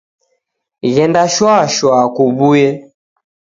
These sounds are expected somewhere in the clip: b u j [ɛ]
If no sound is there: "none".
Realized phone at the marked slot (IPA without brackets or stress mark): ɛ